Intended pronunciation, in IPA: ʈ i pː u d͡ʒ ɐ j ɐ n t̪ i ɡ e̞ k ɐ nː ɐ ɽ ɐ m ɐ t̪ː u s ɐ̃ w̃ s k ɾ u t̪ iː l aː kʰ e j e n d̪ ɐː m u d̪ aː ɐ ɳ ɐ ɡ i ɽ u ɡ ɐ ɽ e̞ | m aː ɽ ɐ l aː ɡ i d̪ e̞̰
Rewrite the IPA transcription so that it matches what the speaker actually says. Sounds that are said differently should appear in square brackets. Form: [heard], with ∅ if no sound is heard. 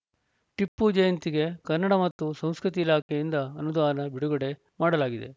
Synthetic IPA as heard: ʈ i pː u d͡ʒ ɐ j ɐ n t̪ i ɡ e̞ k ɐ nː ɐ ɽ ɐ m ɐ t̪ː u s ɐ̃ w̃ s k ɾ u t̪ iː l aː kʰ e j [i] n d̪ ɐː [n] u d̪ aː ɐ [n] ɐ [b] i ɽ u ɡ ɐ ɽ e̞ | m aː ɽ ɐ l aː ɡ i d̪ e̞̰